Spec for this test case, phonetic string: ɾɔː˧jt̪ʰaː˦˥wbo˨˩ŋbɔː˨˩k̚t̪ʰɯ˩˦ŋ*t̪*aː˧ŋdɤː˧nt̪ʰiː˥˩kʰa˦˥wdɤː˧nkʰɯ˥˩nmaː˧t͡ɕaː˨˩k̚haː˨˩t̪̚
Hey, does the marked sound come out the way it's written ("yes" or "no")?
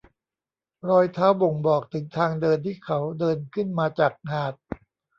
no